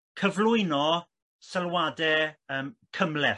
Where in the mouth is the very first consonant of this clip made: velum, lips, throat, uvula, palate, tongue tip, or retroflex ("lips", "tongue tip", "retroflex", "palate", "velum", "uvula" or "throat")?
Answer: velum